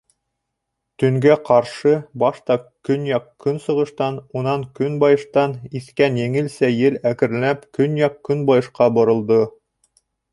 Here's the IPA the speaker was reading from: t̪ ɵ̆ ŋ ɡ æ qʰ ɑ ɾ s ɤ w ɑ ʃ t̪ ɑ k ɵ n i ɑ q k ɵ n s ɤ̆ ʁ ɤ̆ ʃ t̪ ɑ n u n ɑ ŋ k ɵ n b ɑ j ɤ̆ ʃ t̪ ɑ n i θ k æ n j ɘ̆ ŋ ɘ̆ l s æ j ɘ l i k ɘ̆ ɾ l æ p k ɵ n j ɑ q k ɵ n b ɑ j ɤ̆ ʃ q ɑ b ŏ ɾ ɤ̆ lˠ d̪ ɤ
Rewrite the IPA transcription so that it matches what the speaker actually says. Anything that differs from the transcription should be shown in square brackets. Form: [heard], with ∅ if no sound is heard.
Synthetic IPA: t̪ ɵ̆ ŋ ɡ æ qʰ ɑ ɾ [ʃ] ɤ [b] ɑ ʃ t̪ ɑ k ɵ n [j] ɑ q k ɵ n s ɤ̆ ʁ ɤ̆ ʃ t̪ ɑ n u n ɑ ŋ k ɵ n b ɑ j ɤ̆ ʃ t̪ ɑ n i θ k æ n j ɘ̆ ŋ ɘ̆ l s æ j ɘ l [æ] k ɘ̆ ɾ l æ p k ɵ n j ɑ q k ɵ n b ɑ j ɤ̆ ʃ q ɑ b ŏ ɾ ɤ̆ lˠ d̪ ɤ